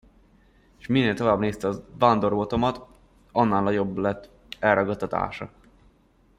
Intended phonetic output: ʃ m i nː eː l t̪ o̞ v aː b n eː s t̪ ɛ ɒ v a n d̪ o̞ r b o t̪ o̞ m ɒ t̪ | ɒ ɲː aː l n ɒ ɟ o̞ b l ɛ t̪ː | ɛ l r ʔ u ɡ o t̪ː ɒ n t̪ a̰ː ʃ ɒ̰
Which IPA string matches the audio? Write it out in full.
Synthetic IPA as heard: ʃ m i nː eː l t̪ o̞ v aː b n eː s t̪ ɛ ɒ v a n d̪ o̞ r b o t̪ o̞ m ɒ t̪ | ɒ nː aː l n ɒ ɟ o̞ b l ɛ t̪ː | ɛ l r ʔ ɒ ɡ ɒ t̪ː ɒ t̪ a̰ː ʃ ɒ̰

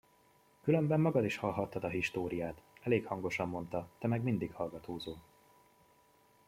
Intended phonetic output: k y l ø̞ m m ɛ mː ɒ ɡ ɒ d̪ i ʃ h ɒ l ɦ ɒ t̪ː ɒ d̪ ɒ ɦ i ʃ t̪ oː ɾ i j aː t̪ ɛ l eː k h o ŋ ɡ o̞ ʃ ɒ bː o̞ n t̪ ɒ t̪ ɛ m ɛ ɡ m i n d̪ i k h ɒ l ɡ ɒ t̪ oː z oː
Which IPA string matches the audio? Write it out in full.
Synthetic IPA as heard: k y l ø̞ m b ɛ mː ɒ ɡ ɒ d̪ i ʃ h ɒ l ɦ ɒ t̪ː ɒ d̪ ɒ ɦ i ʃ t̪ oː ɾ i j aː t̪ ɛ l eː k h ɒ ŋ ɡ o̞ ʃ ɒ mː o̞ n t̪ ɒ t̪ ɛ m ɛ ɡ m i n d̪ i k h ɒ l ɡ ɒ t̪ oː z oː

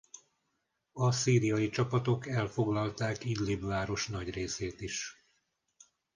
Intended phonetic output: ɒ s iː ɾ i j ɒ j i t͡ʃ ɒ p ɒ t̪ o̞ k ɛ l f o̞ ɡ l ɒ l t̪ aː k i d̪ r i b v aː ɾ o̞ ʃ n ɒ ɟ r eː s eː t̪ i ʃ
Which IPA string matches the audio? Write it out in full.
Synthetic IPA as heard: ɒ s iː ɾ i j ɒ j i t͡ʃ ɒ p ɒ t̪ o̞ k ɛ l f o̞ ɡ l ɒ l t̪ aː k i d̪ l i b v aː ɾ o̞ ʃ n ɒ ɟ r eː s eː t̪ i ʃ

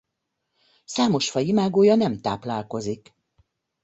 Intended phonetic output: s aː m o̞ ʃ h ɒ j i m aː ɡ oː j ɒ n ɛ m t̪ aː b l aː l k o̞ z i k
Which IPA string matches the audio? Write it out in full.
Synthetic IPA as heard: s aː m o̞ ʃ f ɒ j i m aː ɡ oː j ɒ n ɛ m t̪ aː p l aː l k o̞ z i k

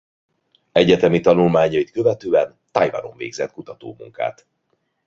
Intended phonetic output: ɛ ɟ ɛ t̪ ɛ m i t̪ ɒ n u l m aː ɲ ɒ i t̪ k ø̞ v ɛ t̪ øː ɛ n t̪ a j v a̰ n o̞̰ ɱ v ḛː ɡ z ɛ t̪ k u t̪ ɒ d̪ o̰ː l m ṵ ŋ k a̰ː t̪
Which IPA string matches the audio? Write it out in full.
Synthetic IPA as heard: ɛ ɟ ɛ t̪ ɛ m i t̪ ɒ n u l m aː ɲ ɒ i t̪ k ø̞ v ɛ t̪ øː ɛ n t̪ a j v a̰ n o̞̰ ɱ v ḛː ɡ z ɛ t̪ k u t̪ ɒ t̪ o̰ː m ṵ ŋ k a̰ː t̪

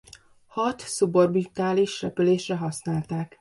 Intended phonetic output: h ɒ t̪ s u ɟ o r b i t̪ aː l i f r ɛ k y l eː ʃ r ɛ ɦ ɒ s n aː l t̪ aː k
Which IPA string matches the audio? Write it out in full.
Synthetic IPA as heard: h ɒ t̪ s u b o r b i t̪ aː l i ʃ r ɛ p y l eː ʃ r ɛ ɦ ɒ s n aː l t̪ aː k

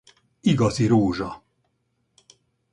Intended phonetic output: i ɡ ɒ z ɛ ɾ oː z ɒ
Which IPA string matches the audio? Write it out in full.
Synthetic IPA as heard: i ɡ ɒ z i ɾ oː ʒ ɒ

